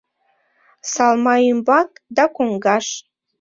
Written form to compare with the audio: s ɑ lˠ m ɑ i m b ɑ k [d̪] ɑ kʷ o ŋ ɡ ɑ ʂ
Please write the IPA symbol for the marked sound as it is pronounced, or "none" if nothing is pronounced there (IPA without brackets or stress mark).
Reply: d̪